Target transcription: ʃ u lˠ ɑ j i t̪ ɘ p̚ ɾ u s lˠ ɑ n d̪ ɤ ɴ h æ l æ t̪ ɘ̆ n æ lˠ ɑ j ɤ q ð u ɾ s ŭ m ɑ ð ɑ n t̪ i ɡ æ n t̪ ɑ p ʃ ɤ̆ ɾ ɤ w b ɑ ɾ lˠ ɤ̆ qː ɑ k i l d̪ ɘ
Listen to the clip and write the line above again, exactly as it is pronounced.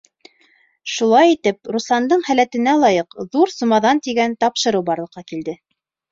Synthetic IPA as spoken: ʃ u lˠ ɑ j i t̪ ɘ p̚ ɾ u s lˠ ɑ n d̪ ɤ ɴ h æ l æ t̪ ɘ̆ n æ lˠ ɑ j ɤ q ð u ɾ s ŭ m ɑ ð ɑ n t̪ i ɡ æ n t̪ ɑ p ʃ ɤ̆ ɾ ɤ w b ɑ ɾ lˠ ɤ̆ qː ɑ k i l d̪ ɘ